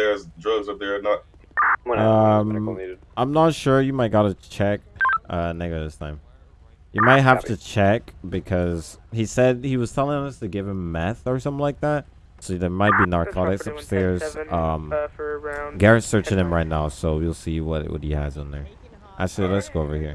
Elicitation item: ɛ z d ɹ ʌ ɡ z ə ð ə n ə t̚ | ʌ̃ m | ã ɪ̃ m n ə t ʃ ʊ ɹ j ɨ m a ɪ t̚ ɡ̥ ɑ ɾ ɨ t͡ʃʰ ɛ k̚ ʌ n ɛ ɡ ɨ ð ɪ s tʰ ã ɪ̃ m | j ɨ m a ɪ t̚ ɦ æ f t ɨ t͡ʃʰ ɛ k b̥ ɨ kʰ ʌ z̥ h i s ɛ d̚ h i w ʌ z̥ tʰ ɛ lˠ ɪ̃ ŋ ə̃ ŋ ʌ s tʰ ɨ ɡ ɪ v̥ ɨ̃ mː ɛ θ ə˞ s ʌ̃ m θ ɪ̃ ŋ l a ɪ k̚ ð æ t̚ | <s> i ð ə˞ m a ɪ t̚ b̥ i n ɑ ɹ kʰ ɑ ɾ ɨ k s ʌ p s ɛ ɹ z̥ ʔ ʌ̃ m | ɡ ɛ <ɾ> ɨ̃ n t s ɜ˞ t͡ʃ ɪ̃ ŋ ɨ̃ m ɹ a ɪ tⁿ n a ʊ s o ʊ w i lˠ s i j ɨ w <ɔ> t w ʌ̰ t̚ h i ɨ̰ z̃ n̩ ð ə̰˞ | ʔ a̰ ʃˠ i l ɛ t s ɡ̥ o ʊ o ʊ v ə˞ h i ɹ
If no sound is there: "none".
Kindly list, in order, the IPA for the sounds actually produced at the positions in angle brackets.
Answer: s, ɹ, ʌ

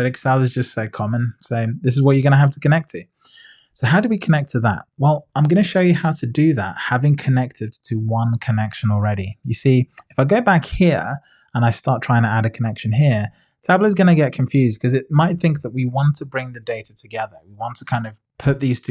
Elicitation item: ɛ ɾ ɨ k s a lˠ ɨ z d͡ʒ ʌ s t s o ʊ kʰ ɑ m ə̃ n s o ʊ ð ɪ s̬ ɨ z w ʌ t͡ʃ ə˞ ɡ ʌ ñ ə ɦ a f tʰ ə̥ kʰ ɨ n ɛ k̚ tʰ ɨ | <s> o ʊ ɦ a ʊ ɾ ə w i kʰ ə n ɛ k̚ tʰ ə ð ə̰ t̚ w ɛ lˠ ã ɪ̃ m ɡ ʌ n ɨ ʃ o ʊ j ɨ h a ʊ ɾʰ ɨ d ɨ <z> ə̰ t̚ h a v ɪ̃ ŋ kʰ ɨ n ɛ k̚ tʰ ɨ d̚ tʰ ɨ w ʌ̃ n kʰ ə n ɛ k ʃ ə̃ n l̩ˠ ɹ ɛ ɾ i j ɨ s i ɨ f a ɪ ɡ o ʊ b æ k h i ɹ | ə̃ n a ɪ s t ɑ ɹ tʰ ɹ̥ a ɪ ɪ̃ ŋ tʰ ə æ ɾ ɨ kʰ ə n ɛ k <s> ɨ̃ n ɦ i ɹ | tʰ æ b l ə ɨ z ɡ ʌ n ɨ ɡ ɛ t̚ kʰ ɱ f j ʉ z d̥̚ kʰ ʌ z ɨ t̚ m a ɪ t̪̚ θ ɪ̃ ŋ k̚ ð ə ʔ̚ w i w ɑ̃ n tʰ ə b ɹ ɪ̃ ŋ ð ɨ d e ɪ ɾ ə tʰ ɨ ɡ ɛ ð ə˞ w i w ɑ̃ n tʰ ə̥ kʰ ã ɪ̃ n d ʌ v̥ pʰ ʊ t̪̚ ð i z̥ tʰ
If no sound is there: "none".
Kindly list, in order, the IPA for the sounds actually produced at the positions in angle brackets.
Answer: s, ð, ʃ

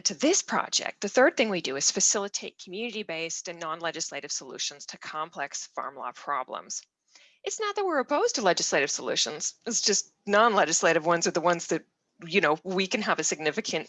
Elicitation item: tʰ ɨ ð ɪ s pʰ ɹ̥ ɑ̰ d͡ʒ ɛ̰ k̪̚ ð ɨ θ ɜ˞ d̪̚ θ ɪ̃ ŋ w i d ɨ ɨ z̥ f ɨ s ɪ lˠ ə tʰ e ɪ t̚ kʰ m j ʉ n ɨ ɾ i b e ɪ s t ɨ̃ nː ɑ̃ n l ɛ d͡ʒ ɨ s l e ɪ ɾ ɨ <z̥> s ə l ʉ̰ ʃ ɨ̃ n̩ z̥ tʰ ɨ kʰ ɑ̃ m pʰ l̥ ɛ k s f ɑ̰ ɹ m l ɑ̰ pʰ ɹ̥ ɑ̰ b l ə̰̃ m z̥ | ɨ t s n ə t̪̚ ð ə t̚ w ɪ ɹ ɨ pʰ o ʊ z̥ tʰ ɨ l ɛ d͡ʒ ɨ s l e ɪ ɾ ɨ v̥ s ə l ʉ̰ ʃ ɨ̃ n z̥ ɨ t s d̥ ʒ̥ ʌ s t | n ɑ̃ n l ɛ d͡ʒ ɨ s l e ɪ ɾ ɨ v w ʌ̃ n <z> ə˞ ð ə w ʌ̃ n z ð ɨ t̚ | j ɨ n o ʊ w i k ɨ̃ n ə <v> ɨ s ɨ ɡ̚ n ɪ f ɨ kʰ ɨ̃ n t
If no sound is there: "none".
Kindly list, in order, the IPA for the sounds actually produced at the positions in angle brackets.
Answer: v̥, z, v

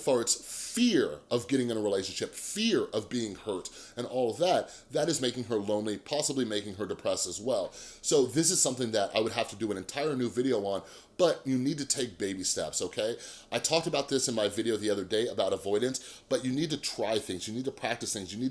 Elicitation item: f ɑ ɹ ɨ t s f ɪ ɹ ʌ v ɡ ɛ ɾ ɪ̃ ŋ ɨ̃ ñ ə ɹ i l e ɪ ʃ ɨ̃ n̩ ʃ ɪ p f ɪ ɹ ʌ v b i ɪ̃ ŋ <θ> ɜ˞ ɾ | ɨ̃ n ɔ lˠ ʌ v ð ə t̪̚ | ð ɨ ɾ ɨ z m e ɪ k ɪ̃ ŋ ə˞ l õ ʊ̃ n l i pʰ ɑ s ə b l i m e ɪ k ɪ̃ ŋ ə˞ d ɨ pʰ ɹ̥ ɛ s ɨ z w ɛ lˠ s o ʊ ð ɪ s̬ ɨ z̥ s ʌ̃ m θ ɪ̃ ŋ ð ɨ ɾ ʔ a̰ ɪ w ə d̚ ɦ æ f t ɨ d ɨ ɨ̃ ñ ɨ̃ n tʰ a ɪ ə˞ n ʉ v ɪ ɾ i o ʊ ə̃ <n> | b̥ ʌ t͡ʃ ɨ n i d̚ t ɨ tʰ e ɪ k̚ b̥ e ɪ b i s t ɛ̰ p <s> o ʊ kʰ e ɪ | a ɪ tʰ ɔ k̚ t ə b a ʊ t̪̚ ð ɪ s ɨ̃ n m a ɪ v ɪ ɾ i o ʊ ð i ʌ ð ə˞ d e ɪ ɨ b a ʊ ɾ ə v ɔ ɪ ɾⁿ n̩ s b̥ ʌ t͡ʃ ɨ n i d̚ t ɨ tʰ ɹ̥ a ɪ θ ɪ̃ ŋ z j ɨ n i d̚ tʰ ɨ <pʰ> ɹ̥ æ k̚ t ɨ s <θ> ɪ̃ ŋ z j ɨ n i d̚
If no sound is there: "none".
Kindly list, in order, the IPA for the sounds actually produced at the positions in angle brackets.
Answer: h, n, s, pʰ, θ

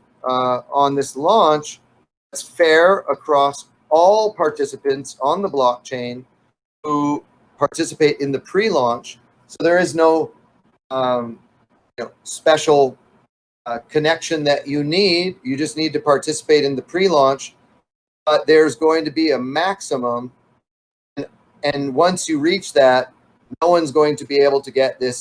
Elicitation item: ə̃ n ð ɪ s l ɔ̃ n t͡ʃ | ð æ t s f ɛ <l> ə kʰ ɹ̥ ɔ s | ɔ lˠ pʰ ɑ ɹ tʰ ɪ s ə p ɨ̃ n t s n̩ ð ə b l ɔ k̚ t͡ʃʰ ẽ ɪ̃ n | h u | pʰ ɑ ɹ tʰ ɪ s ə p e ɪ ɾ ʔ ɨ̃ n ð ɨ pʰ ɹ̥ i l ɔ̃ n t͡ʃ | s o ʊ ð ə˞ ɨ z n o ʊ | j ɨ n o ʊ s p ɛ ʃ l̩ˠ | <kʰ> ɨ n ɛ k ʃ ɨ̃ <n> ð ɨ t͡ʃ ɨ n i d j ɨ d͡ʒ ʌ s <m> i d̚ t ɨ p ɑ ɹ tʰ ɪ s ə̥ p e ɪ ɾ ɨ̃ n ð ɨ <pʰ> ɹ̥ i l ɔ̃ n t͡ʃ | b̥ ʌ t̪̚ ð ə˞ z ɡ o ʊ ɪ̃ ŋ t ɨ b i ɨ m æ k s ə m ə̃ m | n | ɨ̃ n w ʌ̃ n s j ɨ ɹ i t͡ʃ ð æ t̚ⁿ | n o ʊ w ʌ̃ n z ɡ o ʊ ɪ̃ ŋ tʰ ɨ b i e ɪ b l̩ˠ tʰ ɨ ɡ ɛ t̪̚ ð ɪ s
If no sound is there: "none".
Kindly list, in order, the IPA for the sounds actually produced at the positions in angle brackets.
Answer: ɹ, kʰ, n, n, pʰ

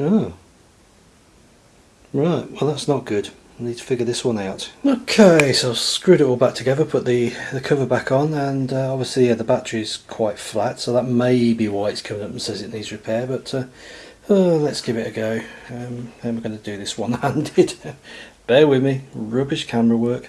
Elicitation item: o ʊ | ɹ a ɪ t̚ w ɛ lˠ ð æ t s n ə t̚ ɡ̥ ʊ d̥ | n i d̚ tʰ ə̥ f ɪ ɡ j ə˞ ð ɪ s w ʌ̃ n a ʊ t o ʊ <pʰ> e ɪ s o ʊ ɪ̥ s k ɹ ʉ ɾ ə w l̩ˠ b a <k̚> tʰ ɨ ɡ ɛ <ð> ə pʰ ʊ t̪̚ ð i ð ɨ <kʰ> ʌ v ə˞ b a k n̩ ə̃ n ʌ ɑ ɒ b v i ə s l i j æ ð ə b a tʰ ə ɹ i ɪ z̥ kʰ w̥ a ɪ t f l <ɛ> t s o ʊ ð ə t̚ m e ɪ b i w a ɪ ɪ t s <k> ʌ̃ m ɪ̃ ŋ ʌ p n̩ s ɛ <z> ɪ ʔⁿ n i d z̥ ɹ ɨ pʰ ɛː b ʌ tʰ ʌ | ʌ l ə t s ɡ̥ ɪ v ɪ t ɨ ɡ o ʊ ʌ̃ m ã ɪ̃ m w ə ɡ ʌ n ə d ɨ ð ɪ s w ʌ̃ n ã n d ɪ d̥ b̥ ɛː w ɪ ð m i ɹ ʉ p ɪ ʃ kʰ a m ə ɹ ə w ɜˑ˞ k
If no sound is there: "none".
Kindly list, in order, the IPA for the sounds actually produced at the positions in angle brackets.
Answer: kʰ, k̚, ð, kʰ, a, kʰ, z

